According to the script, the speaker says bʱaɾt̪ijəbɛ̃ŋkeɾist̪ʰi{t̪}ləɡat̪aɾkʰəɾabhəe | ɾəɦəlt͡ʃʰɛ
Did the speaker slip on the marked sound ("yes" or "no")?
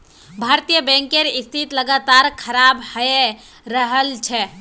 no